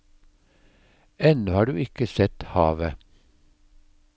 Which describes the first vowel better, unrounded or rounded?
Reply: unrounded